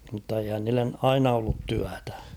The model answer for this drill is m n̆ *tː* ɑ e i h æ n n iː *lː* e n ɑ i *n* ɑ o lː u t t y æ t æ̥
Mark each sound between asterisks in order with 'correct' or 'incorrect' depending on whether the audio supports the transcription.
correct, correct, correct

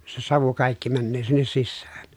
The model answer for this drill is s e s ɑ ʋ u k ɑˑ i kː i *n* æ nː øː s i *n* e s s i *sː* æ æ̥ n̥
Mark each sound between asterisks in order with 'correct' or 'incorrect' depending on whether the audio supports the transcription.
incorrect: m, incorrect: nː, correct

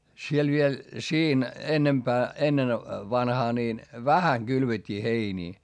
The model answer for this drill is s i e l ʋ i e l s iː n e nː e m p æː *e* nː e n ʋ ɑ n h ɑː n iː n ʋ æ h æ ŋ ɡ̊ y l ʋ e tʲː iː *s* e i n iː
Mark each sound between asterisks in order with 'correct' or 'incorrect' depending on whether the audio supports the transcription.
correct, incorrect: h

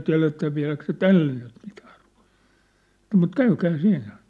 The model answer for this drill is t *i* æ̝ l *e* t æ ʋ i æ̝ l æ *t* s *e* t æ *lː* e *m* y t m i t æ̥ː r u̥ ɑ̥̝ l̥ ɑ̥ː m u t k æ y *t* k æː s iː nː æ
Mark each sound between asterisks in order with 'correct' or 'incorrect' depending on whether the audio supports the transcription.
correct, correct, incorrect: k, correct, correct, incorrect: n, incorrect: none

